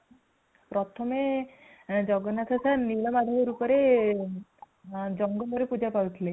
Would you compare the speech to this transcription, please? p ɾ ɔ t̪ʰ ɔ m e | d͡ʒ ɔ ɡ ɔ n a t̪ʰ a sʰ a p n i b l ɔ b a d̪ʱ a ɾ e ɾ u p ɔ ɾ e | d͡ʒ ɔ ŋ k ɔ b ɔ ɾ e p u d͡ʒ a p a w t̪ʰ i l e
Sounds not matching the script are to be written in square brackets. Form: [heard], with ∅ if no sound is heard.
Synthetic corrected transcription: p ɾ ɔ t̪ʰ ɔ m e | d͡ʒ ɔ ɡ ɔ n a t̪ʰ a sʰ a [∅] n i [∅] l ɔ [m] a d̪ʱ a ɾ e ɾ u p ɔ ɾ e | d͡ʒ ɔ ŋ [ɡ] ɔ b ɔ ɾ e p u d͡ʒ a p a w t̪ʰ i l e